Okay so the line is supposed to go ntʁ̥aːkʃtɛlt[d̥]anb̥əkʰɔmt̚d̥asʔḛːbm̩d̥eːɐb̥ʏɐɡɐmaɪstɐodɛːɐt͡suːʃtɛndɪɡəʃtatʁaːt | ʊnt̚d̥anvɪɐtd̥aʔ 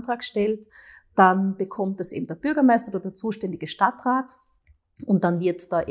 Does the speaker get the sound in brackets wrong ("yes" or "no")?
no